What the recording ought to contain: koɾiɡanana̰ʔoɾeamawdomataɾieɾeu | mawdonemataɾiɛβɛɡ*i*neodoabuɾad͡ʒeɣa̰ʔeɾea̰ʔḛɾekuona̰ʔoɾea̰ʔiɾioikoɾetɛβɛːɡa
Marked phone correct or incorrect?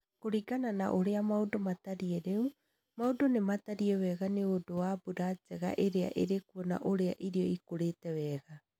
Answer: incorrect